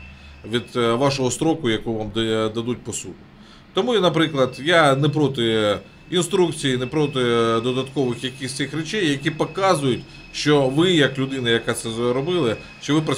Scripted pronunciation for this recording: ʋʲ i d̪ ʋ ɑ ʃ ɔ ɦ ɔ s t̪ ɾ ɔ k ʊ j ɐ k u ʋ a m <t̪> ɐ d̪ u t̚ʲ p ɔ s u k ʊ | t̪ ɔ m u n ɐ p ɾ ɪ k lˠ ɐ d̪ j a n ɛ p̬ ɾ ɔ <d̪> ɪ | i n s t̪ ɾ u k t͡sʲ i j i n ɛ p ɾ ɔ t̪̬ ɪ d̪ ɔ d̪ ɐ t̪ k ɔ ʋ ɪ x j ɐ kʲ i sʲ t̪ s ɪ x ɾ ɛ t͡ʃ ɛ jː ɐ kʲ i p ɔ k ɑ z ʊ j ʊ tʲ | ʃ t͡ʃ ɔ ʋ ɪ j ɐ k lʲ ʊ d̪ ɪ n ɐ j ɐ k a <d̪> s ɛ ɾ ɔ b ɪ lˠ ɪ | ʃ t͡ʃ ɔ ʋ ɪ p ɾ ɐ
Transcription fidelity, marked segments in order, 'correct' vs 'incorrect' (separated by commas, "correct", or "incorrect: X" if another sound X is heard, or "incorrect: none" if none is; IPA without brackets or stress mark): incorrect: d̪, incorrect: t̪, incorrect: t̪